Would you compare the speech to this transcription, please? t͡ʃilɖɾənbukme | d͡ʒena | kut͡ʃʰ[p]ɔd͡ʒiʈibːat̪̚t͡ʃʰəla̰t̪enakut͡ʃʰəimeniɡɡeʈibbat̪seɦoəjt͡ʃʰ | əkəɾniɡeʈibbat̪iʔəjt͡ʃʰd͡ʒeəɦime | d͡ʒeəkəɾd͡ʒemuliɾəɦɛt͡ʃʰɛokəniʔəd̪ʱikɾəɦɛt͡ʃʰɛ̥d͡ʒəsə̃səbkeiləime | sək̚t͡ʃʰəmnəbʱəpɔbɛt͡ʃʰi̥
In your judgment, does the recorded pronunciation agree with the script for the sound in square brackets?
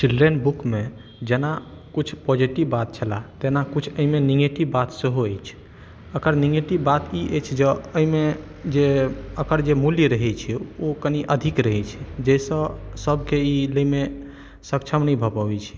yes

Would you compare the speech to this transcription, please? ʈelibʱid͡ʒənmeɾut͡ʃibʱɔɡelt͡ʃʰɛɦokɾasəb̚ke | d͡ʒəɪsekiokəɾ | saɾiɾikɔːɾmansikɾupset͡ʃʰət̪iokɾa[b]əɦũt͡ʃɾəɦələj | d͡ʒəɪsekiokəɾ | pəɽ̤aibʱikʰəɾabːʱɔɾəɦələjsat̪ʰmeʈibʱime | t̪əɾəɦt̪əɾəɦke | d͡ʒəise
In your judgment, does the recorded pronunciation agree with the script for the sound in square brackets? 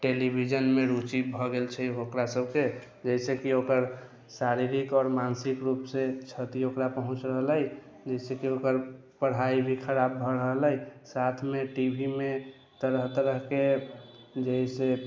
no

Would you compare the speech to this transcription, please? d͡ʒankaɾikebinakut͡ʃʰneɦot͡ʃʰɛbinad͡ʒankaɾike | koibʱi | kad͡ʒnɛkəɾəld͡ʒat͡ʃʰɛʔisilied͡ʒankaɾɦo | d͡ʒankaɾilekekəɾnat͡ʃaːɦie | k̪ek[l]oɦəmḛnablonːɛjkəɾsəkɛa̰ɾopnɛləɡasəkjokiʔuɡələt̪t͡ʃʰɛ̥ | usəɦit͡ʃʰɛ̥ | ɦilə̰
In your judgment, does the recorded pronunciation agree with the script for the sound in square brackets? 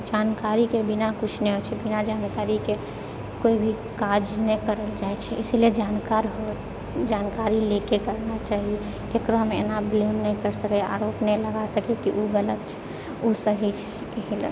no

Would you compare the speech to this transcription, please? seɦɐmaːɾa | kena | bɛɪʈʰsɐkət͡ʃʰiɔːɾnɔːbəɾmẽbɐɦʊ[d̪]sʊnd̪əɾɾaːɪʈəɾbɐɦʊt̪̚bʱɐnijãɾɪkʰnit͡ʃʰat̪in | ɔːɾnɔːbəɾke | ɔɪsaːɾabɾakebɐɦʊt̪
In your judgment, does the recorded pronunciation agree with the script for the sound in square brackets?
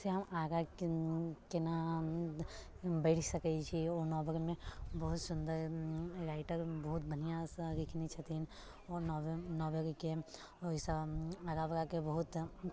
no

